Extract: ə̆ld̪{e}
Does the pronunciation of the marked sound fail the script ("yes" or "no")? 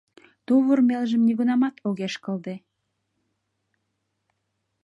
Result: no